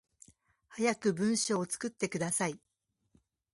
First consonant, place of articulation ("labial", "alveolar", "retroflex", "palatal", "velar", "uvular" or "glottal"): glottal